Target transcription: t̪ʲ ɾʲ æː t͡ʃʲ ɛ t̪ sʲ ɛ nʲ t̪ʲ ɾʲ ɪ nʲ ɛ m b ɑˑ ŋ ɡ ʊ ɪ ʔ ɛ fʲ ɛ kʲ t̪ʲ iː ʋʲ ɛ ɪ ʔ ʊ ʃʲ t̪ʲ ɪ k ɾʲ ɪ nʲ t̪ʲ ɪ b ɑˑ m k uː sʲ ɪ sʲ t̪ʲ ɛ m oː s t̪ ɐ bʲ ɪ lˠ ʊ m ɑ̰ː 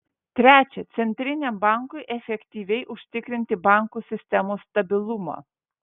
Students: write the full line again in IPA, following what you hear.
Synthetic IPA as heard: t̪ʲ ɾʲ æː t͡ʃʲ ɛ t̪ sʲ ɛ nʲ t̪ʲ ɾʲ ɪ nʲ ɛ m b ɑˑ ŋ k ʊ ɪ ʔ ɛ fʲ ɛ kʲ t̪ʲ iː ʋʲ ɛ ɪ ʔ ʊ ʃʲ t̪ʲ ɪ k ɾʲ ɪ nʲ t̪ʲ ɪ b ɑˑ ŋ k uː sʲ ɪ sʲ t̪ʲ ɛ m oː s t̪ ɐ bʲ ɪ lˠ ʊ m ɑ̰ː